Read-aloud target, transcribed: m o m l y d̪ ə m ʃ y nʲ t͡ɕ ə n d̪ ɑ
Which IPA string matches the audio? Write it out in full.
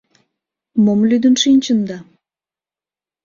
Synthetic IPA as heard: m o m l y d̪ ə n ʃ i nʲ t͡ɕ ə n d̪ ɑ